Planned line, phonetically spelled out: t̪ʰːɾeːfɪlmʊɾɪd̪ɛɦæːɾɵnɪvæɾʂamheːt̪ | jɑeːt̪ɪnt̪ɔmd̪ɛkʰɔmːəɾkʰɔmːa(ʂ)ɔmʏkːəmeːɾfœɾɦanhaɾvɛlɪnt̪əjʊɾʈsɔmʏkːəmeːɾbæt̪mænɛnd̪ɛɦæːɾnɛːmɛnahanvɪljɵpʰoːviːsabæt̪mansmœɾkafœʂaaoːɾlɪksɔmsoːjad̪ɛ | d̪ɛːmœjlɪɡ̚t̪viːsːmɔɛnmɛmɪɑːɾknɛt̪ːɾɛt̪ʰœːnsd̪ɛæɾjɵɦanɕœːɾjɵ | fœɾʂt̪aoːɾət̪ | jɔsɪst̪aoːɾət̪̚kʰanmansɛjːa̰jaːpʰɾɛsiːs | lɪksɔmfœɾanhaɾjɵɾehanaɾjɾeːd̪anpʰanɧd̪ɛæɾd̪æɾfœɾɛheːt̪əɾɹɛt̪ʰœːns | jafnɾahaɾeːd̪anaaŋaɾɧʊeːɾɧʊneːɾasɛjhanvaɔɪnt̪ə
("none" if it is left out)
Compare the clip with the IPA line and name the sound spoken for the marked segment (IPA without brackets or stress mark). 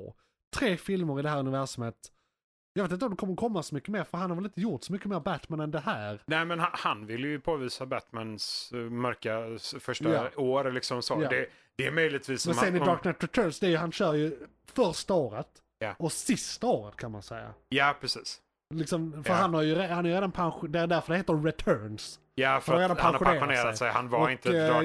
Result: s